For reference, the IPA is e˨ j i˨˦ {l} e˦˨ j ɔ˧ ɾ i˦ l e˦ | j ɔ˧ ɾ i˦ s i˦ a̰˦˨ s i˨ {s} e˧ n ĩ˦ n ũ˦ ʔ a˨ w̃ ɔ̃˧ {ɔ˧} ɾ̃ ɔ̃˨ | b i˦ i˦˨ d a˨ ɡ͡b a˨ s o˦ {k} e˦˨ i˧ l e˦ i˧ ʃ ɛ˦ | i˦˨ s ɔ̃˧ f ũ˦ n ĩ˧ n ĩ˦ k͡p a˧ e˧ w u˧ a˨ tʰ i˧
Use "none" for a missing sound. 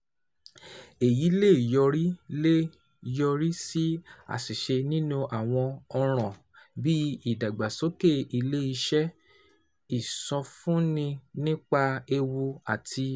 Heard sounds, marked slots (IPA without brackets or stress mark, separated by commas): l, ʃ, ɔ˧, k